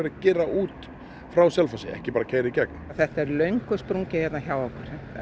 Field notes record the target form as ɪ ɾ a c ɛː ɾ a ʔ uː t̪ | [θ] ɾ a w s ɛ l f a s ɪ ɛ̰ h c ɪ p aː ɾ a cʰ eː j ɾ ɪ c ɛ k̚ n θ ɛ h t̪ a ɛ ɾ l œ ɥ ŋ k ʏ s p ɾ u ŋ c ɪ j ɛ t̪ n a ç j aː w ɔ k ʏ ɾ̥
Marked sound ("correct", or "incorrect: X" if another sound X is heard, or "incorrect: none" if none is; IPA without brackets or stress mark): incorrect: f